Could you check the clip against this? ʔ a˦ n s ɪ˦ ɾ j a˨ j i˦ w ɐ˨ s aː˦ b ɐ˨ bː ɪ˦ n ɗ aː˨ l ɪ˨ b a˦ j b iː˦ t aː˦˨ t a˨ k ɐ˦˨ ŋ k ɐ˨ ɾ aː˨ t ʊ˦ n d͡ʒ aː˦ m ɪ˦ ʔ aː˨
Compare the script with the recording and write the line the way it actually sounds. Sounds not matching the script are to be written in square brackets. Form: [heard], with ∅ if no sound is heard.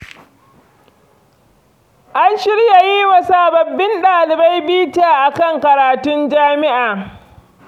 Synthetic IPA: ʔ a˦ n [ʃ] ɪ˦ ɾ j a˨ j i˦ w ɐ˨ s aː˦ b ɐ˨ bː ɪ˦ n ɗ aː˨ l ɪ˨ b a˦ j b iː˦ t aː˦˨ [ʔ] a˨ k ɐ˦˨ ŋ k ɐ˨ ɾ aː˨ t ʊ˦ n d͡ʒ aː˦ m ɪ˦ ʔ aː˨